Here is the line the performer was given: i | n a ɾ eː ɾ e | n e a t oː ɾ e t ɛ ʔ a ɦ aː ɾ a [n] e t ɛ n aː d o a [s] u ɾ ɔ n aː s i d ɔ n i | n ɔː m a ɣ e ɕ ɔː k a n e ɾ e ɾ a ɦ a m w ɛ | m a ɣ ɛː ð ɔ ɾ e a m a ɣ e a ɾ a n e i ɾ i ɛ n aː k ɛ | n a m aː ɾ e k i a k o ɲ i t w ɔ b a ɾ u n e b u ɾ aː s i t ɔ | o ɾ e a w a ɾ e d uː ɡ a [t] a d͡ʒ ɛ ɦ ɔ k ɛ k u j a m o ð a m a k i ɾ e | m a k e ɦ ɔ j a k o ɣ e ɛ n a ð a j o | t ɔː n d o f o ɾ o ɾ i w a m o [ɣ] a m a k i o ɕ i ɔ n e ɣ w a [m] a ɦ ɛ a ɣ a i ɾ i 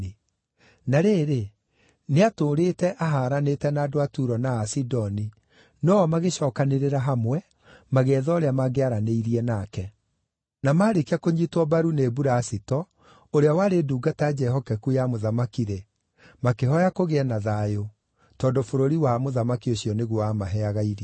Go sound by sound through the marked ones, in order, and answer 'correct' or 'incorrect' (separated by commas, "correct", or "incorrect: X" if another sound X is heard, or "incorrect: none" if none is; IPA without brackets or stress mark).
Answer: correct, incorrect: t, correct, incorrect: ð, correct